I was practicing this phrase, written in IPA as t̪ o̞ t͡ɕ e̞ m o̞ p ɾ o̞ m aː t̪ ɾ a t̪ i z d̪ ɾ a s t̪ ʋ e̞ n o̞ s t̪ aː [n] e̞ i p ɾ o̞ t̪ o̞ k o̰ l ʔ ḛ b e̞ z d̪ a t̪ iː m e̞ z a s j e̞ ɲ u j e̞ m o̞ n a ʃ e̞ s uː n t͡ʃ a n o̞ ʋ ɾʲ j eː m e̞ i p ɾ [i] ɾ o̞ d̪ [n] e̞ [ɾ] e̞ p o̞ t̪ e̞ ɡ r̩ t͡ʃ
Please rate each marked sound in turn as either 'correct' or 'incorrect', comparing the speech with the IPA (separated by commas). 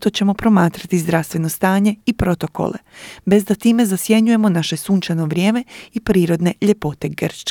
incorrect, incorrect, correct, incorrect